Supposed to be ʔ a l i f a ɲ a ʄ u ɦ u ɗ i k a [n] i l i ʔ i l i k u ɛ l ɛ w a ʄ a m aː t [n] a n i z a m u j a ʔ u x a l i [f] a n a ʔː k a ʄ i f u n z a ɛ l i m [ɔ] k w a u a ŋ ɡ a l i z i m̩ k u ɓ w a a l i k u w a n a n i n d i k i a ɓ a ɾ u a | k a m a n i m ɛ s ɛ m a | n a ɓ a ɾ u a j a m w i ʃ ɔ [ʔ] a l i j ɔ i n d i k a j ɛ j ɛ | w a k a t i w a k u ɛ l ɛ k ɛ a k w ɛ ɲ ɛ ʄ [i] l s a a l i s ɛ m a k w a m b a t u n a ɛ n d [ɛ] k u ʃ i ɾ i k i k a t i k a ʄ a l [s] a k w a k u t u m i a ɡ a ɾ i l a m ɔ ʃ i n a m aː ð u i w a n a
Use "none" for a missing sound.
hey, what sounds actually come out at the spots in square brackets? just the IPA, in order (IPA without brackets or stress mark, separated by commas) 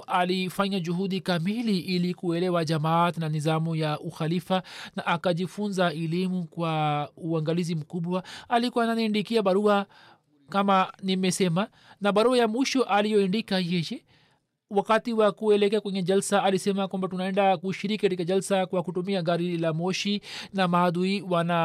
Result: m, n, f, u, ʔ, a, a, s